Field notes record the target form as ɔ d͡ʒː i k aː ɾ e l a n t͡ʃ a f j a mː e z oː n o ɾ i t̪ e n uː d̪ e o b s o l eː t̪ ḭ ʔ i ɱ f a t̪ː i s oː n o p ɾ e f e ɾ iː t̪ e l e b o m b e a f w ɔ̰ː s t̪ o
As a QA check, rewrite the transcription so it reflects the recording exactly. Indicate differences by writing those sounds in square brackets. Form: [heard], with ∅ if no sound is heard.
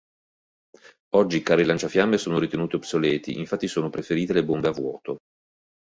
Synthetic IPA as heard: ɔ d͡ʒː i k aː ɾ e l a n t͡ʃ a f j a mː e [s] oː n o ɾ i t̪ e n uː [t̪] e o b s o l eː t̪ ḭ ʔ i ɱ f a t̪ː i s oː n o p ɾ e f e ɾ iː t̪ e l e b o m b e a [v] w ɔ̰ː [∅] t̪ o